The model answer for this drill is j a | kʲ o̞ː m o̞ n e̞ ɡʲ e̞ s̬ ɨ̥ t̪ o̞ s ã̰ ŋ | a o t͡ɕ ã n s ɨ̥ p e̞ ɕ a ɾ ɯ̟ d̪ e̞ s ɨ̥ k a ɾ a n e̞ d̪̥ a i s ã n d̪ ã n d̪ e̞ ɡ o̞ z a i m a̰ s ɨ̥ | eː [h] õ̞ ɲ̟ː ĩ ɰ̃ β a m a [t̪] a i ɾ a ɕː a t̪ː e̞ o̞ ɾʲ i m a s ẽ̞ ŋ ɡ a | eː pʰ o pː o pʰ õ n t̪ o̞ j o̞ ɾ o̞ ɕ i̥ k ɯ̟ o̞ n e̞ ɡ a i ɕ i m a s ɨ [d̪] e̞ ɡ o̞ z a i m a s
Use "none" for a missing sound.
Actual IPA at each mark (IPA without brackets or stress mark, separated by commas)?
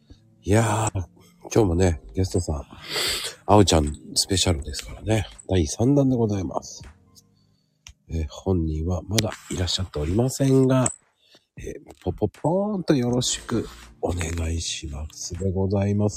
h, d̪, d̪